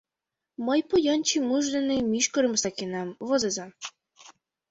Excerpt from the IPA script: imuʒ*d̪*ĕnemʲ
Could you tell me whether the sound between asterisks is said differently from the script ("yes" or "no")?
no